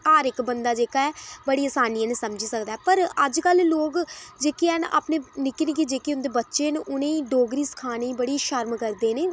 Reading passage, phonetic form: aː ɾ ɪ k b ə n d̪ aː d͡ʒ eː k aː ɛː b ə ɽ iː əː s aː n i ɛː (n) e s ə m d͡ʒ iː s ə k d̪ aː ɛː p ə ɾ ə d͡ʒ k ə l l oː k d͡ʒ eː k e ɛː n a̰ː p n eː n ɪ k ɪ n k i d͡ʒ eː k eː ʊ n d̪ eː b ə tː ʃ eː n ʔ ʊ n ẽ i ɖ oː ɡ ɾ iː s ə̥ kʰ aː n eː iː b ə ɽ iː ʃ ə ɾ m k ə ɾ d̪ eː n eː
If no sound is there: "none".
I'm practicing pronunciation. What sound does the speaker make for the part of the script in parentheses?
n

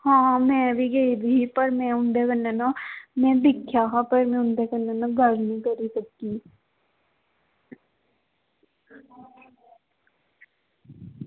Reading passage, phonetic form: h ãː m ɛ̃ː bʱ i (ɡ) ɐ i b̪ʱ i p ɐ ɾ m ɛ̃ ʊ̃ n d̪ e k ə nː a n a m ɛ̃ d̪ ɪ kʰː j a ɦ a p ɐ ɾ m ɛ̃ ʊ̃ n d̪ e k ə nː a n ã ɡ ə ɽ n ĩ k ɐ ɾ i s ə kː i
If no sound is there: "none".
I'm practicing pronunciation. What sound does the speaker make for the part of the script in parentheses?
ɡ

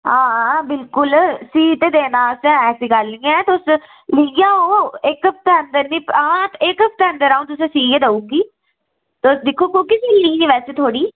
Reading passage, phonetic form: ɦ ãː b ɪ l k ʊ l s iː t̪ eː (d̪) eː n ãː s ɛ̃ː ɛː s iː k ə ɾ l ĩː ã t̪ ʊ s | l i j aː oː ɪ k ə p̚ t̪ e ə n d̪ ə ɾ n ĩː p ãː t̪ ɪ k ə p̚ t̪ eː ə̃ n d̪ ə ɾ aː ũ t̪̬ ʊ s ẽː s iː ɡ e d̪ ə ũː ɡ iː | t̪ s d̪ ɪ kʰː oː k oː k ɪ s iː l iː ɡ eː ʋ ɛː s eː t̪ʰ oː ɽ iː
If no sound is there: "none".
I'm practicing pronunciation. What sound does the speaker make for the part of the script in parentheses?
d̪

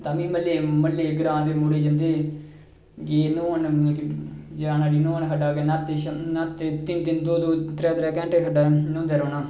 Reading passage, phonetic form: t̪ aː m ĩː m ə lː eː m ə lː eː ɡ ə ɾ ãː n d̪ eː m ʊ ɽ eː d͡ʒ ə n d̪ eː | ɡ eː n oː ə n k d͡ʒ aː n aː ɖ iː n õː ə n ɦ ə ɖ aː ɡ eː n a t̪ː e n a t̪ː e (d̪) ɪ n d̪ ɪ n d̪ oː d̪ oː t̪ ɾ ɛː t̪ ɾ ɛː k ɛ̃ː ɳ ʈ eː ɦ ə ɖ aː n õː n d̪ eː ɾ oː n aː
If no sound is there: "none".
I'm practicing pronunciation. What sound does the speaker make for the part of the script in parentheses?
t̪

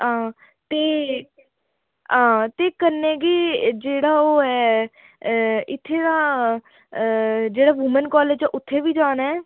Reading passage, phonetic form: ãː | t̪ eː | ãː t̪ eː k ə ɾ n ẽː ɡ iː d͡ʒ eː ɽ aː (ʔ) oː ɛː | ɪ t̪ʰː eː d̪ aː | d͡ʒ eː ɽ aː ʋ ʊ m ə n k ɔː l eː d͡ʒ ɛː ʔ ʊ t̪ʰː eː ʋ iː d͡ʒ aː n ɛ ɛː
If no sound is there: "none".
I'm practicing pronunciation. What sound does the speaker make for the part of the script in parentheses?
none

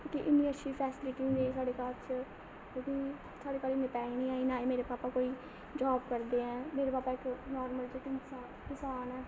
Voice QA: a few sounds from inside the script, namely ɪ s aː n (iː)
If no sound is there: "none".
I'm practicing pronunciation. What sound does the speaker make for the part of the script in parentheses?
ɛː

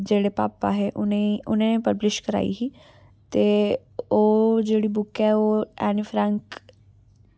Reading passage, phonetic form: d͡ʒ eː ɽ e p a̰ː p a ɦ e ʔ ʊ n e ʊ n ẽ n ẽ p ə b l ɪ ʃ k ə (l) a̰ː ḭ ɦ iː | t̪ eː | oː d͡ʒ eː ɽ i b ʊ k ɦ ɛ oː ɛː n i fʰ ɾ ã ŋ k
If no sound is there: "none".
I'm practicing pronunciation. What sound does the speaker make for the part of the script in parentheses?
ɾ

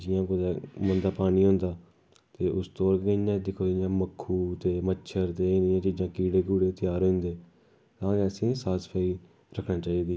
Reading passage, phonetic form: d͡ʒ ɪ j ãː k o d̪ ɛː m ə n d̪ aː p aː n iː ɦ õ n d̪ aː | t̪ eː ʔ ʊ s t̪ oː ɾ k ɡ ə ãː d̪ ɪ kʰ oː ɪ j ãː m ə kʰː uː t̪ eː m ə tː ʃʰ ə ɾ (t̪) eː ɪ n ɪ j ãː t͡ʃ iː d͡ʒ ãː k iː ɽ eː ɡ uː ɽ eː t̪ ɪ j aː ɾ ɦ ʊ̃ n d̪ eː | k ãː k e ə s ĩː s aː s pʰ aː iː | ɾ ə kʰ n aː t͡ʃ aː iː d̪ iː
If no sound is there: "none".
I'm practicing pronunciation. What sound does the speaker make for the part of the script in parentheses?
t̪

